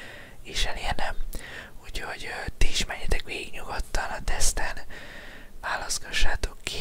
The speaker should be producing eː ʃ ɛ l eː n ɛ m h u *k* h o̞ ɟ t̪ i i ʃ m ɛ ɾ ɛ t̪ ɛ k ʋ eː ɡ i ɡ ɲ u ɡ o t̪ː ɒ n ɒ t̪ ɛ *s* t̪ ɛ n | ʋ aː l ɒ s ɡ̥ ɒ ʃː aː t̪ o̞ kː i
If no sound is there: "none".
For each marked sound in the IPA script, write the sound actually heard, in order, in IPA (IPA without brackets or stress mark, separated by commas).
c, s